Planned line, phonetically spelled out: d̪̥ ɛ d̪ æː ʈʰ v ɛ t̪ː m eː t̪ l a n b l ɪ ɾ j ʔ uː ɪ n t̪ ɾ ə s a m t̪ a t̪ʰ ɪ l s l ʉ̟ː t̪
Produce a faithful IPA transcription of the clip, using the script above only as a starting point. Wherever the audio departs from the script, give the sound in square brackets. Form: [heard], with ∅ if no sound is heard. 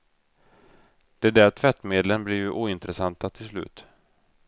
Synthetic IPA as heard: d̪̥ ɛ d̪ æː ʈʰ v ɛ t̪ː m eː [d̪] l [ə] n b l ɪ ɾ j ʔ uː ɪ n t̪ ɾ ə s a [n] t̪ a t̪ʰ ɪ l s l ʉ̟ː t̪